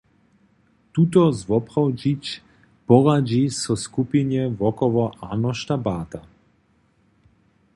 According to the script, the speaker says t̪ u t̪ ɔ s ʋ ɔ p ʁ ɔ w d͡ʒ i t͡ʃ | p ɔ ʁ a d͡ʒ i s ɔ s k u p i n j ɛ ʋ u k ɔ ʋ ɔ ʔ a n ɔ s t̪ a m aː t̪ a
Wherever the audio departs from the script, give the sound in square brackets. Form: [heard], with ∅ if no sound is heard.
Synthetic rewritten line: t̪ u t̪ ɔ [z] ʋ ɔ p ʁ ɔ w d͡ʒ i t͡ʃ | p ɔ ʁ a d͡ʒ i s ɔ s k u p i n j ɛ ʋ [ɔ] k ɔ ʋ ɔ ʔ a n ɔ [ʃ] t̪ a [b] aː t̪ a